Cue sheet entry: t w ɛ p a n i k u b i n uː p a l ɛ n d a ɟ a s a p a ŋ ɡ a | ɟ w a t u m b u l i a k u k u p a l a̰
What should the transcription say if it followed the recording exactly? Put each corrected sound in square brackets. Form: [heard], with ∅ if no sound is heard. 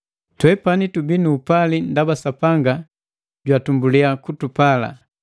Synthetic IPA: t w ɛ p a n i [t] u b i n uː p a l [i] n d a [b] a s a p a ŋ ɡ a | ɟ w a t u m b u l i a k u [t] u p a l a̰